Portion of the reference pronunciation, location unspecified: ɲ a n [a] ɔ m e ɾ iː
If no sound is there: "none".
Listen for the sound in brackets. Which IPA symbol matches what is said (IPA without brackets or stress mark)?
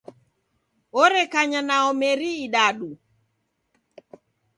a